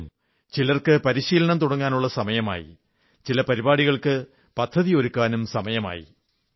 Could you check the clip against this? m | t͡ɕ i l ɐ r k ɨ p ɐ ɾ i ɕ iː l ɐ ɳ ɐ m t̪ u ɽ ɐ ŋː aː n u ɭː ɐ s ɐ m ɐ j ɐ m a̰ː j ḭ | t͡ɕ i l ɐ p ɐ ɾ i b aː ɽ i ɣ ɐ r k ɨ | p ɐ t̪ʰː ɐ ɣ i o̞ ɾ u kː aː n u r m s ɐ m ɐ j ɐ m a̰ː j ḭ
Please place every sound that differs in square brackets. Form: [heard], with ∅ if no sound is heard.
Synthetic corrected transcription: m | t͡ɕ i l ɐ r k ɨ p ɐ ɾ i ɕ iː l ɐ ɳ ɐ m t̪ u ɽ ɐ ŋː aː n u ɭː ɐ s ɐ m ɐ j ɐ m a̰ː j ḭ | t͡ɕ i l ɐ p ɐ ɾ i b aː ɽ i ɣ ɐ [ɭ] k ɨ | p ɐ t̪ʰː ɐ [ð] i o̞ ɾ u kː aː n u [∅] m s ɐ m ɐ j ɐ m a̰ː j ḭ

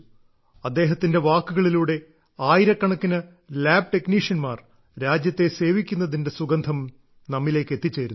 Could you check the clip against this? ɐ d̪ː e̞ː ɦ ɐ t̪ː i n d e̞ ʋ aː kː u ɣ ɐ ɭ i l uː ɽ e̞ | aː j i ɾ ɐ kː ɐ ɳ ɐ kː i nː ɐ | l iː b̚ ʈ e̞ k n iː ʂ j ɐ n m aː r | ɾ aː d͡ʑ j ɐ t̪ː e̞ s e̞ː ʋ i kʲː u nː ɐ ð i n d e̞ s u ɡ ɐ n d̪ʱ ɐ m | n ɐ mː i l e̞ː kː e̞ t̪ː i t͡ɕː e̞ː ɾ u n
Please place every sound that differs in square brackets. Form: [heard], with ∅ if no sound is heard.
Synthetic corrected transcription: ɐ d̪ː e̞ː ɦ ɐ t̪ː i n d e̞ ʋ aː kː u ɣ ɐ ɭ i l uː ɽ e̞ | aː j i ɾ ɐ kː ɐ ɳ ɐ kː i [n] ɐ | l [aː] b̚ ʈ e̞ k n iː ʂ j ɐ n m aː r | ɾ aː d͡ʑ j ɐ t̪ː e̞ s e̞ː ʋ i kʲː u nː ɐ ð i n d e̞ s u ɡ ɐ n d̪ʱ ɐ m | n ɐ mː i l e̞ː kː e̞ t̪ː i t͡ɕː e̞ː ɾ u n

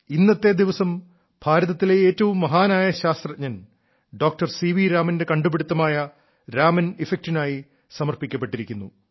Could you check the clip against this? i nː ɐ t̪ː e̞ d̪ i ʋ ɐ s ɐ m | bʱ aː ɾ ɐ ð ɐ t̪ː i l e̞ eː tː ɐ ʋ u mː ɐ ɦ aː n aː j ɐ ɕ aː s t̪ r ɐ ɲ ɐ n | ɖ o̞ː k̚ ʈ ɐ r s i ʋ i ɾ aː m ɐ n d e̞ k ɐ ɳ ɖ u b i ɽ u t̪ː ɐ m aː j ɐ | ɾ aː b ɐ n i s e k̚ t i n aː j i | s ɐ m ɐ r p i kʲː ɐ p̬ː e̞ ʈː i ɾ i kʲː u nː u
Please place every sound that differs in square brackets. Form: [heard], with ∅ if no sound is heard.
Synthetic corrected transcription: i nː ɐ t̪ː e̞ d̪ i ʋ ɐ s ɐ m | bʱ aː ɾ ɐ ð ɐ t̪ː i l e̞ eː tː ɐ ʋ u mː ɐ ɦ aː n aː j ɐ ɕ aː s t̪ r ɐ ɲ ɐ n | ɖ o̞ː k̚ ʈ ɐ r s i ʋ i ɾ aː m ɐ n d e̞ k ɐ ɳ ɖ u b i ɽ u t̪ː ɐ m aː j ɐ | ɾ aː [m] ɐ n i [f] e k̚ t i n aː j i | s ɐ m ɐ r p i kʲː ɐ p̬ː e̞ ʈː i ɾ i kʲː u nː u

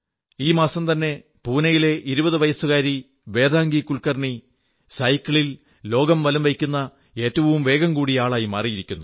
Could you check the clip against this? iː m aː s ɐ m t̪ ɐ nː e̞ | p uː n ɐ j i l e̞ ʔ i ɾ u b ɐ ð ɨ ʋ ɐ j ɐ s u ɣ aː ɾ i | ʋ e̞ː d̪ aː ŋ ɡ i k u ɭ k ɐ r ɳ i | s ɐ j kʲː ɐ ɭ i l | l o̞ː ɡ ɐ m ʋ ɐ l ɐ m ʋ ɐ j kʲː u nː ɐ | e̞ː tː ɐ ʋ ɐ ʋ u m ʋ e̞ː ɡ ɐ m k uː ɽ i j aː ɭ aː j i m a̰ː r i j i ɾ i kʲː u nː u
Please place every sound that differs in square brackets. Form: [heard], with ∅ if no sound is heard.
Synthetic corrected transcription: iː m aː s ɐ m t̪ ɐ nː e̞ | p uː n ɐ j i l e̞ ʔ i ɾ u b ɐ ð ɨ ʋ ɐ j ɐ s u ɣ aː ɾ i | ʋ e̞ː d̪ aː ŋ ɡ i k u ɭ k ɐ r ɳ i | s ɐ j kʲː ɐ ɭ i l | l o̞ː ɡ ɐ m ʋ ɐ l ɐ m ʋ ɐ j kʲː u nː ɐ | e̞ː tː ɐ ʋ ɐ ʋ u m ʋ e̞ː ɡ ɐ m k uː ɽ i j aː ɭ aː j i m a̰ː r i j i ɾ i kʲː u nː u

